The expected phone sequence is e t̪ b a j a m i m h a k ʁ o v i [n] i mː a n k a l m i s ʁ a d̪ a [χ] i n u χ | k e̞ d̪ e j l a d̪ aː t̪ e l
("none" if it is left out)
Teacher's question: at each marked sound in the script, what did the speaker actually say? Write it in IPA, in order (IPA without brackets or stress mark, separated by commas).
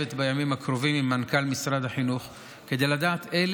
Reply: m, ħ